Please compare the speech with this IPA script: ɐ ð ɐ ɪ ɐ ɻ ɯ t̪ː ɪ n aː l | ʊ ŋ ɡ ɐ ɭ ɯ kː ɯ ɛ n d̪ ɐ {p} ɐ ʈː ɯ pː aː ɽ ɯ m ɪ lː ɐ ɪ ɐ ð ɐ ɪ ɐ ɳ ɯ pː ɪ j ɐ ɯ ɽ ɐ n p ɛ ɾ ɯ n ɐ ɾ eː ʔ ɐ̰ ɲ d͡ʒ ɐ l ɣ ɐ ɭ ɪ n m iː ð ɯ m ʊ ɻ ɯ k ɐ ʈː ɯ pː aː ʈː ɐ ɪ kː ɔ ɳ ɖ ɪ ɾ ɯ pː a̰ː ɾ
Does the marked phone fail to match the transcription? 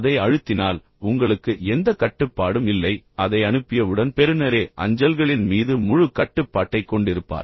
yes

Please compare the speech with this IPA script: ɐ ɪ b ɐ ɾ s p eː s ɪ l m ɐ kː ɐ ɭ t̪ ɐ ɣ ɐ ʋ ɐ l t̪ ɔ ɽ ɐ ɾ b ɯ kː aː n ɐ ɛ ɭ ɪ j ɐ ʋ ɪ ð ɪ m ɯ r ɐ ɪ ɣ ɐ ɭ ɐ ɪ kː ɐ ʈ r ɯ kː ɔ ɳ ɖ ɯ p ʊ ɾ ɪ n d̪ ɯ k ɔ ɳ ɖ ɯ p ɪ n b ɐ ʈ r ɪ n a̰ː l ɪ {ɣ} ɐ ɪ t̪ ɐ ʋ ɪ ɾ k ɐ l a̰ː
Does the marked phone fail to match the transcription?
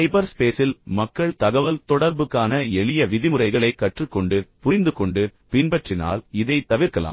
yes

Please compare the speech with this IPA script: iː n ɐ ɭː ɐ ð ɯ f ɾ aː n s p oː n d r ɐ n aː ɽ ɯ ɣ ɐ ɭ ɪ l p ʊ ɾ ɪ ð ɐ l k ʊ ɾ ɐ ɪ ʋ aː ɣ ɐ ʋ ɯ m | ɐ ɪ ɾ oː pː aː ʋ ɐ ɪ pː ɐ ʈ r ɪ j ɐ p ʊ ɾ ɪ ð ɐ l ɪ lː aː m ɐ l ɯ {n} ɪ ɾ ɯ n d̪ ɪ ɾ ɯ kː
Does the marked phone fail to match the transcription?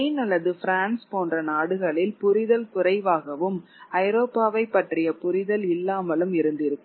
yes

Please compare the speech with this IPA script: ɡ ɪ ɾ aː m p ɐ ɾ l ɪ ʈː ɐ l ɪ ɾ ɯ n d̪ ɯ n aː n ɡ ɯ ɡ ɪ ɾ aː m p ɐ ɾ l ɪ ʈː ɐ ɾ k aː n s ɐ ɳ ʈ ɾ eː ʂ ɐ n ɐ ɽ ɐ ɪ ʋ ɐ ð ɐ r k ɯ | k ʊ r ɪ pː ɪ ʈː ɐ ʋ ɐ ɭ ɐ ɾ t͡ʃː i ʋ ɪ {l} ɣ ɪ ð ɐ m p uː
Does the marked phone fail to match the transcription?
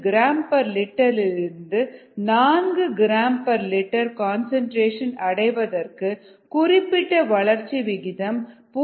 yes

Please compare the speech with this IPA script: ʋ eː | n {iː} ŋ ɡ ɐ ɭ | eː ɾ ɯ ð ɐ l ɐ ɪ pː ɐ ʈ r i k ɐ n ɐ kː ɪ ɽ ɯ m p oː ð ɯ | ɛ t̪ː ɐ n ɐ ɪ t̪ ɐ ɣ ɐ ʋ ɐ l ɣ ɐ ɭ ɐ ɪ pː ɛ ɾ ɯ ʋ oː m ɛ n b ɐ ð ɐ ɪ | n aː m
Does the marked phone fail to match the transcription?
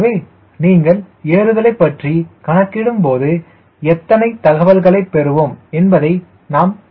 no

